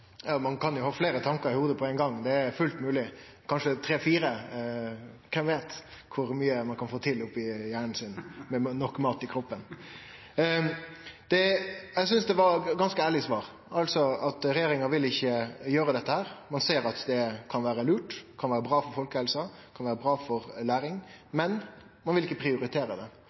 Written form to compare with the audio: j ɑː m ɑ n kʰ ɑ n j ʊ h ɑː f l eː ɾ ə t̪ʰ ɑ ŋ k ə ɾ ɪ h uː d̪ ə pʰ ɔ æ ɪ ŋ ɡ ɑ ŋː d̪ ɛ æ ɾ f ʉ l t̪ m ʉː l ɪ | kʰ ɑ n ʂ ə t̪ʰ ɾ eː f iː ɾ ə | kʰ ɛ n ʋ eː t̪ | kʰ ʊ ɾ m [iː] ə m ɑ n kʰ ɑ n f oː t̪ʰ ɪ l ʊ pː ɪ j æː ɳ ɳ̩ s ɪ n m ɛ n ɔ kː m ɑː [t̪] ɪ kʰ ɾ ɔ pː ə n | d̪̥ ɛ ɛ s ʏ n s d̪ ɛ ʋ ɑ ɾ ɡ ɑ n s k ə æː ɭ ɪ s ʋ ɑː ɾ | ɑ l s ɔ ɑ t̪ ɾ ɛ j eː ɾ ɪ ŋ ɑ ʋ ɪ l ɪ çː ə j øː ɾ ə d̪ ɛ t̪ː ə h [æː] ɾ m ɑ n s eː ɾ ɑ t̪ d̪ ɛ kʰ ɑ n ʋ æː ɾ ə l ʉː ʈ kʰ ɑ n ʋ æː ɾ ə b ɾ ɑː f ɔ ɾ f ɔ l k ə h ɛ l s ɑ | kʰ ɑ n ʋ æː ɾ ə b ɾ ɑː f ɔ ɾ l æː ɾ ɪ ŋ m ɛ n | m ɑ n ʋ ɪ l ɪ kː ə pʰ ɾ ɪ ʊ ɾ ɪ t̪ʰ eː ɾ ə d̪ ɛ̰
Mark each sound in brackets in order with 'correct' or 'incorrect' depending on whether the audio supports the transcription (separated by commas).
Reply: incorrect, correct, correct